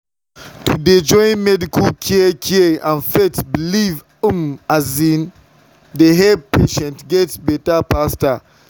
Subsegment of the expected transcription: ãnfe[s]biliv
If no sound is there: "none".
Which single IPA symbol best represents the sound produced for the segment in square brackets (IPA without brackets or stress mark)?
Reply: t